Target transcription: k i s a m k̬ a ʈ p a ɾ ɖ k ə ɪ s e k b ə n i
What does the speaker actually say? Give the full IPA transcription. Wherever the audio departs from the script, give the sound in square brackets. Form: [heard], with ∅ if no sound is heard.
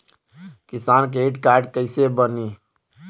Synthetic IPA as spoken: k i s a [n] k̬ [e] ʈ [k] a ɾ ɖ k ə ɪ s e [∅] b ə n i